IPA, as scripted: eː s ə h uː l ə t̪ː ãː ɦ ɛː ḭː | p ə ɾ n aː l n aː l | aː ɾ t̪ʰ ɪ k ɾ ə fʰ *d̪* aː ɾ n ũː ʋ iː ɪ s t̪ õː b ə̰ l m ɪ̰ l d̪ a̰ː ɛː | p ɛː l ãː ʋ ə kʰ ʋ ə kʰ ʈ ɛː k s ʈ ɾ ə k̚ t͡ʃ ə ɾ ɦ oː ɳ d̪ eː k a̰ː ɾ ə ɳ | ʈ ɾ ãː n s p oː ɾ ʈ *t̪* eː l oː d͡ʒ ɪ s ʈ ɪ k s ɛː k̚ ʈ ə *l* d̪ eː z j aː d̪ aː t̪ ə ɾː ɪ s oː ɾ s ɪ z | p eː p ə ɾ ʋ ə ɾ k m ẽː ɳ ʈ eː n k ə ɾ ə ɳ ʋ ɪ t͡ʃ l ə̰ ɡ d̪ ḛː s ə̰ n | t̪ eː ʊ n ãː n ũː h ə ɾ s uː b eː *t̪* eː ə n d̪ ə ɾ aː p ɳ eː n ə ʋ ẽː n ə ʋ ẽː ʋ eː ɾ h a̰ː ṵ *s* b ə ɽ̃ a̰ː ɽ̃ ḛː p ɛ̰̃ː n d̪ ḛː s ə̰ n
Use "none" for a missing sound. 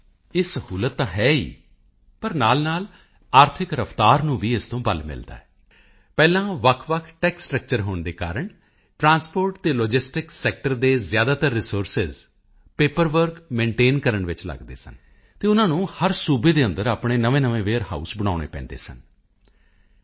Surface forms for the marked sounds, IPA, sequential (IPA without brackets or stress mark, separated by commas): t̪, t̪, ɾ, d̪, s